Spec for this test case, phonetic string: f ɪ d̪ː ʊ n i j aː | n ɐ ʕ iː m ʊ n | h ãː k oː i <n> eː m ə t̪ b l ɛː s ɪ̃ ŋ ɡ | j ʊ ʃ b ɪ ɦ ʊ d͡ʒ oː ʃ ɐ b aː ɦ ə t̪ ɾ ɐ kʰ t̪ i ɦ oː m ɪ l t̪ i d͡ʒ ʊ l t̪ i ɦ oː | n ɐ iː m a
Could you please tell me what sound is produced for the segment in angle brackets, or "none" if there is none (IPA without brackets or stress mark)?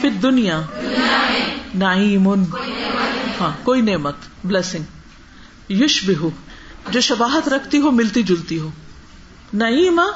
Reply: n